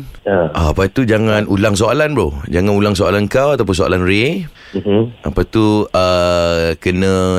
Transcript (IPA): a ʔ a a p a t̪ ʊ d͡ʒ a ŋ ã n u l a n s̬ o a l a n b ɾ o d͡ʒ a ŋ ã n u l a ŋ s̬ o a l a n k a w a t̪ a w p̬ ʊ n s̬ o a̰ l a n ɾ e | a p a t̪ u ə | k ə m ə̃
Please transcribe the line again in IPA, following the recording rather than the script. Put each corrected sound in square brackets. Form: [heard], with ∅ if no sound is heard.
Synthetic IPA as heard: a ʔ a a p a t̪ [u] d͡ʒ a ŋ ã n u l a [ŋ] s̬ o a l a n b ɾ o d͡ʒ a ŋ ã n u l a ŋ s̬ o a l a n k a w a t̪ a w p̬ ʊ n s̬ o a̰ l a n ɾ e | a p a t̪ u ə | k ə [n] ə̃